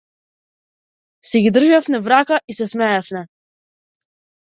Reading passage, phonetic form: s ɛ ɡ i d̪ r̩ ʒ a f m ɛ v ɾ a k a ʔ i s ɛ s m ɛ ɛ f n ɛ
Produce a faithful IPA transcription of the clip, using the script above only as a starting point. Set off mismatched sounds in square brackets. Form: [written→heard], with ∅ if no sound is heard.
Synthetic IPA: s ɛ ɡ i d̪ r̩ ʒ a f [m→n] ɛ v ɾ a k a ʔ i s ɛ s m ɛ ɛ f n ɛ